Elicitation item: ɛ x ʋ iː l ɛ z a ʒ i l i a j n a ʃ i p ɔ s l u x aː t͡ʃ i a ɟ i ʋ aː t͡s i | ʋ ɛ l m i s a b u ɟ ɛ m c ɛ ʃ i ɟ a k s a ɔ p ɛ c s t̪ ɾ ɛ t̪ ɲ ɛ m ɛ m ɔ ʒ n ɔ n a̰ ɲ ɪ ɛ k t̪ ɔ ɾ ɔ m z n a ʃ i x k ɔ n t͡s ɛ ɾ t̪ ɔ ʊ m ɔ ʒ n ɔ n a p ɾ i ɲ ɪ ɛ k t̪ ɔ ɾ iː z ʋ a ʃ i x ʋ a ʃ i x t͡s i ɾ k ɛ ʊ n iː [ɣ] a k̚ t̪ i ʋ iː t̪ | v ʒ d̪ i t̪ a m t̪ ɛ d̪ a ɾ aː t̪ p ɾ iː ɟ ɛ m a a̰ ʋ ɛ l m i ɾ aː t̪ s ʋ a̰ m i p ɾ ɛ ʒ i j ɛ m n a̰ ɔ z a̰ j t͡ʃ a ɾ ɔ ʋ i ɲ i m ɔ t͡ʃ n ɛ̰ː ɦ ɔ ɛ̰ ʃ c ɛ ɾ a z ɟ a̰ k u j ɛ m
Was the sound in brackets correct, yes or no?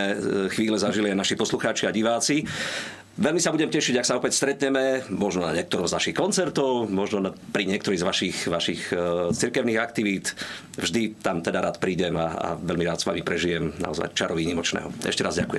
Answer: yes